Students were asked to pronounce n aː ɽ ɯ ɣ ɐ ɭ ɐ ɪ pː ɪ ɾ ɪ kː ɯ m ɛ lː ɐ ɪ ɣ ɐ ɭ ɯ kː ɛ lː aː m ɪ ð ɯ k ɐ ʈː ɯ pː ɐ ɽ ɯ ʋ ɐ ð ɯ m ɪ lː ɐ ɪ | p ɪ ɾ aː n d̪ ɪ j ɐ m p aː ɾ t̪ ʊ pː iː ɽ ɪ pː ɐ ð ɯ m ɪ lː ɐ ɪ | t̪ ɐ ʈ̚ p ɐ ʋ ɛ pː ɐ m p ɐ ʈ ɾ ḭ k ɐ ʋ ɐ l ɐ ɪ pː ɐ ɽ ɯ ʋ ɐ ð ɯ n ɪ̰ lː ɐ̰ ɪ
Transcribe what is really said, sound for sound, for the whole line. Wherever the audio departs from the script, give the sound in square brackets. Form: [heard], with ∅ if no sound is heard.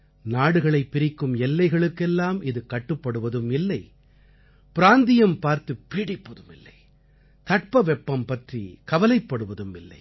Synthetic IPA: n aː ɽ ɯ ɣ ɐ ɭ ɐ ɪ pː ɪ ɾ ɪ kː ɯ m ɛ lː ɐ ɪ ɣ ɐ ɭ ɯ kː ɛ lː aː m ɪ ð ɯ k ɐ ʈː ɯ pː ɐ ɽ ɯ ʋ ɐ ð ɯ m ɪ lː ɐ ɪ | p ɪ ɾ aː n d̪ ɪ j ɐ m p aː ɾ t̪ [ɯ] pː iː ɽ ɪ pː ɐ ð ɯ m ɪ lː ɐ ɪ | t̪ ɐ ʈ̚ p ɐ ʋ ɛ pː ɐ m p ɐ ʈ [r] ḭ k ɐ ʋ ɐ l ɐ ɪ pː ɐ ɽ ɯ ʋ ɐ ð ɯ [m] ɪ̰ lː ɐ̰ ɪ